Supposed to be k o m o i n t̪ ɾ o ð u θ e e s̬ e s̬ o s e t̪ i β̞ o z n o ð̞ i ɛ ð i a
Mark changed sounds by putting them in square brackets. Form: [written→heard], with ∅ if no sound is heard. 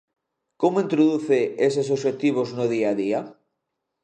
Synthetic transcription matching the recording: k o m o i n t̪ ɾ o ð u θ e e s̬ e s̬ o [s→ʃ] e t̪ i β̞ o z n o ð̞ i [ɛ→a] ð i a

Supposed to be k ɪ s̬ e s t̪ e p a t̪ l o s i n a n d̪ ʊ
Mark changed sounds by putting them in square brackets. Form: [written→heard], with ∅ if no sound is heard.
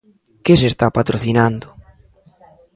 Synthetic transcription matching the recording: k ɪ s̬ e s t̪ [e→a] p a t̪ [l→ɾ] o [s→θ] i n a n d̪ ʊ

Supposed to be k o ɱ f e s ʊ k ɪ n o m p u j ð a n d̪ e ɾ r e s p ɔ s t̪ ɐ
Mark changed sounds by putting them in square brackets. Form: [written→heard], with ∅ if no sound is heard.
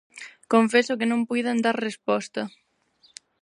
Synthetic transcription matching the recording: k o ɱ f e s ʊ k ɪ n [o→õ] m p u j ð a n d̪ [e→a] ɾ r e s p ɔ s t̪ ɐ

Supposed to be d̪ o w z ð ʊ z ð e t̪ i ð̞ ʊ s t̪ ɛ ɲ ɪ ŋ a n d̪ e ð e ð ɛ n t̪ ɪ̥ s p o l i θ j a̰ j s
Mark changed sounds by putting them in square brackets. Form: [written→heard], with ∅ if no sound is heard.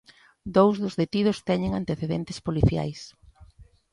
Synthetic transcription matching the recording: d̪ o w z ð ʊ z ð e t̪ i ð̞ ʊ s t̪ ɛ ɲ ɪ ŋ a n [d̪→t̪] e [ð→θ] e ð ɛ n t̪ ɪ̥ s p o l i θ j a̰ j s

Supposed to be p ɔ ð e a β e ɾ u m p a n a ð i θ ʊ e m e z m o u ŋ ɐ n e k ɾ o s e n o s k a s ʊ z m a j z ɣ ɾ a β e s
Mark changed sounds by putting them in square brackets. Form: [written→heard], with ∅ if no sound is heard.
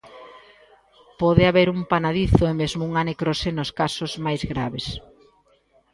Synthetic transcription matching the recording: p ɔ ð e a β e ɾ u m p a n a ð i θ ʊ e m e z m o u ŋ [ɐ→a] n e k ɾ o s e n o s k a s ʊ z m a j z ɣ ɾ a β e s

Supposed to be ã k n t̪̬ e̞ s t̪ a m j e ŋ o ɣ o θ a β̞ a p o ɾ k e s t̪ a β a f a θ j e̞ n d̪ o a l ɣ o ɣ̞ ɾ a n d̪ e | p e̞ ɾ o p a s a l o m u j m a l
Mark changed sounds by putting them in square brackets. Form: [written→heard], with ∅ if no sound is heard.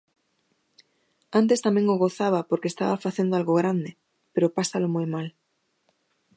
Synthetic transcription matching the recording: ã [k→∅] n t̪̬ e̞ s t̪ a m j e ŋ o ɣ o θ a β̞ a p o ɾ k e s t̪ a β a f a θ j e̞ n d̪ o a l ɣ o ɣ̞ ɾ a n d̪ e | p e̞ ɾ o p a s a l o m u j m a l

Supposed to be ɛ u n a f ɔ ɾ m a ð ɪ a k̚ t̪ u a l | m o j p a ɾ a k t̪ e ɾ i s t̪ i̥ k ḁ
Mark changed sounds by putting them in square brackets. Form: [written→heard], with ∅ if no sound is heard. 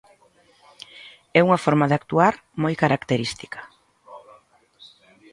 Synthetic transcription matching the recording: ɛ u [n→ŋ] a f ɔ ɾ m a ð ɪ a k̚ t̪ u a [l→ɾ] | m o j [p→k] a ɾ a k t̪ e ɾ i s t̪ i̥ k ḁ

